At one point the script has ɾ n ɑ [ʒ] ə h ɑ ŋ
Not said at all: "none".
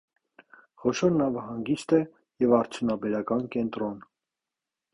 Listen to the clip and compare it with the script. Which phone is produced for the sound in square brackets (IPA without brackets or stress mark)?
v